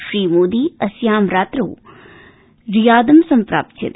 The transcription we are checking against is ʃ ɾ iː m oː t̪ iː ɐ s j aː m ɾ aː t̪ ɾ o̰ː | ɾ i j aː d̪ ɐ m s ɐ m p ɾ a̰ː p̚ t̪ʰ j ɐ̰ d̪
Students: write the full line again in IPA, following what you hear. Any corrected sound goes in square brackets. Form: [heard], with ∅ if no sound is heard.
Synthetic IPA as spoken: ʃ ɾ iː m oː [d̪] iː ɐ s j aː m ɾ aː t̪ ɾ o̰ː | ɾ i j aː d̪ ɐ m s ɐ m p ɾ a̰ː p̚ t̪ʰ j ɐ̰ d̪